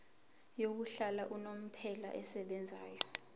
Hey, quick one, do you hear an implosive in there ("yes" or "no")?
yes